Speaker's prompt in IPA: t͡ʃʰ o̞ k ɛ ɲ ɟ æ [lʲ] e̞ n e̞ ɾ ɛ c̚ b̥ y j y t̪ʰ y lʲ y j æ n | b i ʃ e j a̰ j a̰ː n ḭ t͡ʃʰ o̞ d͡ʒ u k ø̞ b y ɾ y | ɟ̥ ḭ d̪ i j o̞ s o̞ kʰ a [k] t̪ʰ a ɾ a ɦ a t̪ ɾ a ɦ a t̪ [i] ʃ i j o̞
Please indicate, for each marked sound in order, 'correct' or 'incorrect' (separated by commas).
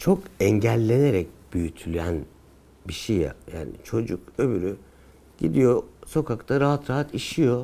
incorrect, correct, correct